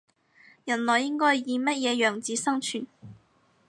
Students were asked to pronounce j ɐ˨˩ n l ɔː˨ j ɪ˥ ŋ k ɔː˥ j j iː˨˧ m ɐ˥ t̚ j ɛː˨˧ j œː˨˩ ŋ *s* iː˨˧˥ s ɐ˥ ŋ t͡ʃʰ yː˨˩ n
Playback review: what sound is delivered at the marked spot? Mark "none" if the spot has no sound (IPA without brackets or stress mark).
t͡s